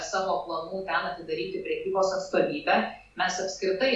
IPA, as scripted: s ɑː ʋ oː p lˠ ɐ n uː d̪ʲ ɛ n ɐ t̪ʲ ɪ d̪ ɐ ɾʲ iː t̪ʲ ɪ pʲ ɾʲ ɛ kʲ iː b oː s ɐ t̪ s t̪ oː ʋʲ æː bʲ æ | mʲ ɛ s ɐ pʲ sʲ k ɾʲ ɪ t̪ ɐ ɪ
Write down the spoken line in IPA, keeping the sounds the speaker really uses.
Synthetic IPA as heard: s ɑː ʋ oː p lˠ ɐ n uː t̪ʲ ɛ n ɐ t̪ʲ ɪ d̪ ɐ ɾʲ iː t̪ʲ ɪ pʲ ɾʲ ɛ kʲ iː b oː s ɐ t̪ s t̪ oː ʋʲ iː bʲ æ | mʲ ɛ s ɐ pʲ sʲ k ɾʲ ɪ t̪ ɐ ɪ